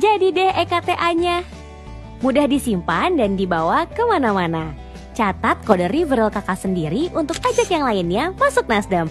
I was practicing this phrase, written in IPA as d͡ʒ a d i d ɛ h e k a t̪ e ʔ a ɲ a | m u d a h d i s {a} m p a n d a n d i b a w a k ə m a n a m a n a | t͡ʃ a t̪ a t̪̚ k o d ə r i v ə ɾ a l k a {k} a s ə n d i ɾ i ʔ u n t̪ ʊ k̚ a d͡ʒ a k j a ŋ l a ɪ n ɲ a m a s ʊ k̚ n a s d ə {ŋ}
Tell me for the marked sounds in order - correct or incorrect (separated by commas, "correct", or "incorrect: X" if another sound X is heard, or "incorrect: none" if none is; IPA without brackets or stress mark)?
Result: incorrect: i, correct, incorrect: m